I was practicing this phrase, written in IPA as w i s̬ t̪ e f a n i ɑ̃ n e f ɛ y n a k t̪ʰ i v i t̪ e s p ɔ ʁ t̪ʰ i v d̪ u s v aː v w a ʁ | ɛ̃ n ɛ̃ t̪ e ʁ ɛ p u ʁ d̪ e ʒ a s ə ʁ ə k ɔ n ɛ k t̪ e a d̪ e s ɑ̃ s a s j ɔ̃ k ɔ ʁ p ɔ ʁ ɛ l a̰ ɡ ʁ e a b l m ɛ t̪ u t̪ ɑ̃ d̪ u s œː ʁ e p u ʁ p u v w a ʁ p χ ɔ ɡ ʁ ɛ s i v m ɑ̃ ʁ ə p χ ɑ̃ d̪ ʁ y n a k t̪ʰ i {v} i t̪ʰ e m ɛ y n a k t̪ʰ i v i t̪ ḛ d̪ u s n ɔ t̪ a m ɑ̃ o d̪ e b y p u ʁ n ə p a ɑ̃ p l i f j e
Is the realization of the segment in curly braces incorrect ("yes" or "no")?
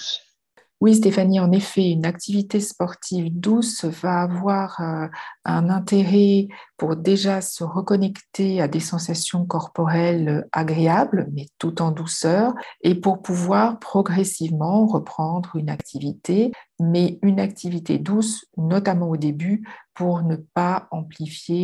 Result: no